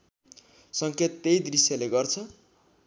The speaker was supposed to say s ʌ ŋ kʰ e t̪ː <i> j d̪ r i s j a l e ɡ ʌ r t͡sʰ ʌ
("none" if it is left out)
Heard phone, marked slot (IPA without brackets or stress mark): e